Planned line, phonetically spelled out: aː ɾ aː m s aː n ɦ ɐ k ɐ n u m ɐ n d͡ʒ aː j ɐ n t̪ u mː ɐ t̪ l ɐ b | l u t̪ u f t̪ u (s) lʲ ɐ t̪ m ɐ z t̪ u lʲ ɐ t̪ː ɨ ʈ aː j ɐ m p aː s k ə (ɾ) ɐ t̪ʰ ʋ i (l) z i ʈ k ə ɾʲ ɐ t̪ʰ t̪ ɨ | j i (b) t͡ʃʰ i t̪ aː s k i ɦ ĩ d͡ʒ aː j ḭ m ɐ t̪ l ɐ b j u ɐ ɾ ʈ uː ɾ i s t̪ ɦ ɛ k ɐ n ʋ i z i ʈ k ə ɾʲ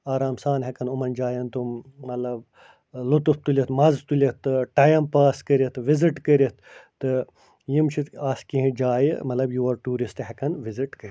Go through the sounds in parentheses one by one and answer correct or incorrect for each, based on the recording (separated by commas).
incorrect, correct, incorrect, incorrect